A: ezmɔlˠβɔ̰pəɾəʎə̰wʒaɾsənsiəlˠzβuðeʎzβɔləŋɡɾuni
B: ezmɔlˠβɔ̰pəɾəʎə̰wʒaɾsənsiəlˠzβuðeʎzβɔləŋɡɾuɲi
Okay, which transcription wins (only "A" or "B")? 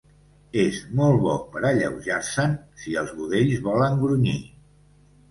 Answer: B